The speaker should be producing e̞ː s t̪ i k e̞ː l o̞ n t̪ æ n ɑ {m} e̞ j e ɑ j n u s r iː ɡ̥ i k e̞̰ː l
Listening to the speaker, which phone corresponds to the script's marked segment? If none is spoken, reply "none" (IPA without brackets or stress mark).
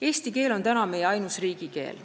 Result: m